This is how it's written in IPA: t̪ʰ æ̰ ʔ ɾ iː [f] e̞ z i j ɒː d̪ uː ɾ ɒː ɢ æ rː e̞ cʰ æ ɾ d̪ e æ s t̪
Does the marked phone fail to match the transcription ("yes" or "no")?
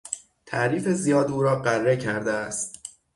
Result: no